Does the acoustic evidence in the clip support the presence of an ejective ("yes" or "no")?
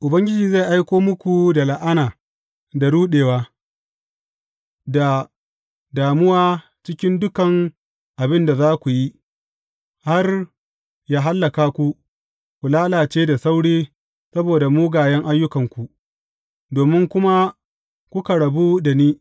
no